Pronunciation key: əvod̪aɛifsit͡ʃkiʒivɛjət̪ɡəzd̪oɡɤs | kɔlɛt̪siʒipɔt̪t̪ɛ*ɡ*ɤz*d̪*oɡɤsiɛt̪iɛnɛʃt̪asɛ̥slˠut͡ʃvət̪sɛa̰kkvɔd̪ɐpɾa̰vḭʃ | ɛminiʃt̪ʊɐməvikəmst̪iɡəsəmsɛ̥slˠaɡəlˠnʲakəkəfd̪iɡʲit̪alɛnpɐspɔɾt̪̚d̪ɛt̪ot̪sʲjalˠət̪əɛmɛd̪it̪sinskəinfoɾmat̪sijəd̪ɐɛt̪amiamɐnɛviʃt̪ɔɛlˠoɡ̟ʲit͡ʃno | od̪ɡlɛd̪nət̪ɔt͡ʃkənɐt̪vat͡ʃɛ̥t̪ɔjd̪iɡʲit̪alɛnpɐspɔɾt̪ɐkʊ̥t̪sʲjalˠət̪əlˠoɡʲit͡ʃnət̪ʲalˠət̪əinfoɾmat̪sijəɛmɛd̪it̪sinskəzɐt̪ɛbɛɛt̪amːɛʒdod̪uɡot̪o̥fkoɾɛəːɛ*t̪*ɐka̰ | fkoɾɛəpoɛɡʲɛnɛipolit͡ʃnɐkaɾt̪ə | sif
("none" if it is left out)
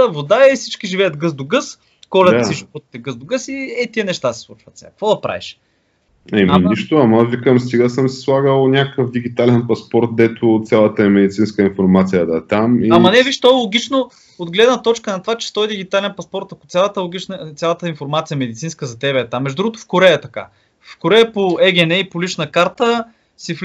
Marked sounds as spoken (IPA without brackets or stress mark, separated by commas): ɡ, d̪, t̪